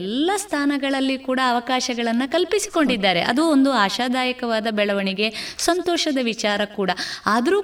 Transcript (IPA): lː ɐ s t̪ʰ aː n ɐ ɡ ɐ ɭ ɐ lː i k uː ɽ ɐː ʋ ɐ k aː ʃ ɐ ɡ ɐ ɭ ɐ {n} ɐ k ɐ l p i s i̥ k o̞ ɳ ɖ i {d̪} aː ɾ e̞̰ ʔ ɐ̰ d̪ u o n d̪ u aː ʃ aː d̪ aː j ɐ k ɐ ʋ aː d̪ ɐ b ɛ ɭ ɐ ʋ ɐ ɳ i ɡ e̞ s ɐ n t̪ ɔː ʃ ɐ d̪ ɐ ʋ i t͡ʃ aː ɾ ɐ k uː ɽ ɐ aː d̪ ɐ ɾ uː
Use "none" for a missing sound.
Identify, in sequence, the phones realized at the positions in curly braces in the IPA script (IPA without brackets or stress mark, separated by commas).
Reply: nː, d̪ː